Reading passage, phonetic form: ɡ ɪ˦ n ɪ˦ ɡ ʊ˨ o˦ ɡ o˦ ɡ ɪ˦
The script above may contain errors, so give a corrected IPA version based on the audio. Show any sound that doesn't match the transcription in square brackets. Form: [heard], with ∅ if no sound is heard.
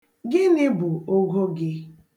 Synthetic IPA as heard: ɡ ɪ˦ n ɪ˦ [b] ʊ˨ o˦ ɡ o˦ ɡ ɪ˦

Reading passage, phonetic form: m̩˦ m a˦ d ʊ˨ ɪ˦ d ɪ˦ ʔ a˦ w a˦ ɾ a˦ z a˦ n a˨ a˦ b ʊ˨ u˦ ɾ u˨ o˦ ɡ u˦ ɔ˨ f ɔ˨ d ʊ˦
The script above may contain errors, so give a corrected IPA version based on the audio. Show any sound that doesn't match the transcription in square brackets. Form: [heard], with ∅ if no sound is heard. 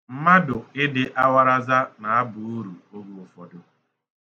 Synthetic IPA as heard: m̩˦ m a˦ d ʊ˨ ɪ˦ d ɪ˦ ʔ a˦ w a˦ ɾ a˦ z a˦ n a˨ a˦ b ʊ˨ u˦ ɾ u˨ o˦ ɡ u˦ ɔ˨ f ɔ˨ d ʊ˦

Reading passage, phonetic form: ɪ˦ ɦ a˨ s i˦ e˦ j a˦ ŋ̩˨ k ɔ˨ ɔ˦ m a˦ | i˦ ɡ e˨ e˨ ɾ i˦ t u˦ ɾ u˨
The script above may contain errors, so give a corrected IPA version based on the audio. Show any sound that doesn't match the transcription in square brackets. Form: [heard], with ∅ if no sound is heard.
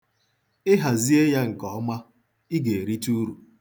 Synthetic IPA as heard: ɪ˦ ɦ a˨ [z] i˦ e˦ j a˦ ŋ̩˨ k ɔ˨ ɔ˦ m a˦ | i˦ ɡ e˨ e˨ ɾ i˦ t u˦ ɾ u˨

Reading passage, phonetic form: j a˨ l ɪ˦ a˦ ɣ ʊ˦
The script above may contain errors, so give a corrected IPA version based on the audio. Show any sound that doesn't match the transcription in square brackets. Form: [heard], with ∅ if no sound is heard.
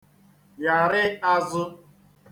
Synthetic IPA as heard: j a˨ [ɾ] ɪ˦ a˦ [z] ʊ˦

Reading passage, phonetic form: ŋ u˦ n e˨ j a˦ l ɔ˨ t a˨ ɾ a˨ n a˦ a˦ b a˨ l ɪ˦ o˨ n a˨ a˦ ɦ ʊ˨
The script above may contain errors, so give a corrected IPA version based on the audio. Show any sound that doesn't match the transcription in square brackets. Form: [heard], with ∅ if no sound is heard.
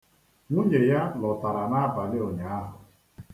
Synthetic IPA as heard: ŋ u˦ [ɲ] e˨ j a˦ l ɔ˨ t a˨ ɾ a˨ n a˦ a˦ b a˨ l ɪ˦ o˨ [ɲ] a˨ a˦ ɦ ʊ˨

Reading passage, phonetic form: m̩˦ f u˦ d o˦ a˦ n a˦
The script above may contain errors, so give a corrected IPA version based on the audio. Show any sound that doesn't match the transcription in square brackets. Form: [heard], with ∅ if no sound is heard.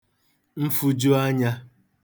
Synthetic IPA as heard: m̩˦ f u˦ [d͡ʒ] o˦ a˦ [ɲ] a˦

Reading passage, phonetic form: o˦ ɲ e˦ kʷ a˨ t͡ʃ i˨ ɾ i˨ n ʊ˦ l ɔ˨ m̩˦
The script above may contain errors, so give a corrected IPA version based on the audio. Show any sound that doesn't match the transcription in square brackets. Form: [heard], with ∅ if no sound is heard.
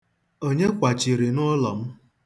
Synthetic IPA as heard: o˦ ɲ e˦ kʷ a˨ t͡ʃ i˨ ɾ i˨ n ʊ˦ l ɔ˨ m̩˦

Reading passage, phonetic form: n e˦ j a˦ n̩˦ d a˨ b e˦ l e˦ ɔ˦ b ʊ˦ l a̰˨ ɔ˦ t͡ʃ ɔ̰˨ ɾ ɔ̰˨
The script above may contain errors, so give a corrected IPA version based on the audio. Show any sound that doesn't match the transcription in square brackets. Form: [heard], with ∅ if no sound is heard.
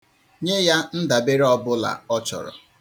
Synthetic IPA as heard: [ɲ] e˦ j a˦ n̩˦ d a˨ b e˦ [ɾ] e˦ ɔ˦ b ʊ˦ l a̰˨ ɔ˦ t͡ʃ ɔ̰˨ ɾ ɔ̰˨

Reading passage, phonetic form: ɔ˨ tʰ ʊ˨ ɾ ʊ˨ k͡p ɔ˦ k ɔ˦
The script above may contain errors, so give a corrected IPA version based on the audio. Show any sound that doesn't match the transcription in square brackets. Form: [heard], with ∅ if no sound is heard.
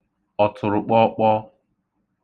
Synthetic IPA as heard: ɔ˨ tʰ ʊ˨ ɾ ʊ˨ k͡p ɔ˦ [k͡p] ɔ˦

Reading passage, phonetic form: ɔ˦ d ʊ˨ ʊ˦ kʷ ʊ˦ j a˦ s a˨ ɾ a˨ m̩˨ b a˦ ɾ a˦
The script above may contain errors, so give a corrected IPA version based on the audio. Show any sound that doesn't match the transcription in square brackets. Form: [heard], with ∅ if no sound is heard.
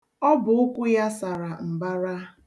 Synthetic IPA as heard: ɔ˦ [b] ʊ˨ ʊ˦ kʷ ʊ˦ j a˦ s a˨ ɾ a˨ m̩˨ b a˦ ɾ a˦

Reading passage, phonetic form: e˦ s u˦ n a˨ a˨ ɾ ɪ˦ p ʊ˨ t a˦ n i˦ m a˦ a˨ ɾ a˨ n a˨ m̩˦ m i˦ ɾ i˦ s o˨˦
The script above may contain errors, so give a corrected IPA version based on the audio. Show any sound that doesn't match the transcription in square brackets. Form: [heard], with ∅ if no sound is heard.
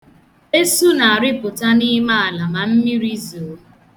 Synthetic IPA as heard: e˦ s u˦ n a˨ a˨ ɾ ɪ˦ p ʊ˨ t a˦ n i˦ m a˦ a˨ [l] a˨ [m] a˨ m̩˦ m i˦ ɾ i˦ [z] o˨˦

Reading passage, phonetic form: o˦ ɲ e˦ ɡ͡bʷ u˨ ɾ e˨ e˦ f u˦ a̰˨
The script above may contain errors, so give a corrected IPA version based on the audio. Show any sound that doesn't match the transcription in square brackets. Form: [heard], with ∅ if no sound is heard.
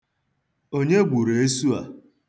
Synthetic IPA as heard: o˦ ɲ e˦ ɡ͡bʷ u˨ ɾ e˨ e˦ [s] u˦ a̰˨

